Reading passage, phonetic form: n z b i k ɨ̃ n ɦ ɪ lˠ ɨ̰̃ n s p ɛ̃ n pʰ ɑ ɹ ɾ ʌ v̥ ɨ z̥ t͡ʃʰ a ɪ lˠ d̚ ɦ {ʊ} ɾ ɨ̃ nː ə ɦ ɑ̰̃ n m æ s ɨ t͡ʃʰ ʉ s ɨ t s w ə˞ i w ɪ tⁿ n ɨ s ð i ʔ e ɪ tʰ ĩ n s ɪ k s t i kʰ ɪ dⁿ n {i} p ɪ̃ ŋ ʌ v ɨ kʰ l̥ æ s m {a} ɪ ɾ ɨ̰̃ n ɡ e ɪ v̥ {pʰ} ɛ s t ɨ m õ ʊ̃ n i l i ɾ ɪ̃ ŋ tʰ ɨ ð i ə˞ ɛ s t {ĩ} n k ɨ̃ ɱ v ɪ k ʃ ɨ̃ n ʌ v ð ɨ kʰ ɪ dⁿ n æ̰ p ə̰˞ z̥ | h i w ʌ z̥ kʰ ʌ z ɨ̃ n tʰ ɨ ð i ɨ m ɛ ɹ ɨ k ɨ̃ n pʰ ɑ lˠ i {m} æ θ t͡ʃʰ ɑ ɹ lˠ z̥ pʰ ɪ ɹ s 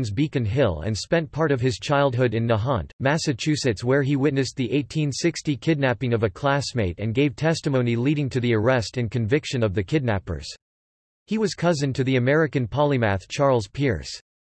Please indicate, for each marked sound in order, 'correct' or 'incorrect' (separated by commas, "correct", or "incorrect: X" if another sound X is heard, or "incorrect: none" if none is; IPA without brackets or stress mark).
correct, incorrect: æ, incorrect: e, incorrect: tʰ, incorrect: ɨ̃, correct